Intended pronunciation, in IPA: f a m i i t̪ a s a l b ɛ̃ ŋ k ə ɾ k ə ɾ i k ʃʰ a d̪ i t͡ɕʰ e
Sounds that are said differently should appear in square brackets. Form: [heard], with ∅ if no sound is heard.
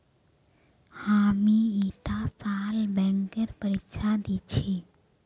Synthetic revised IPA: [h] a m i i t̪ a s a l b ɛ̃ ŋ k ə ɾ [p] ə ɾ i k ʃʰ a d̪ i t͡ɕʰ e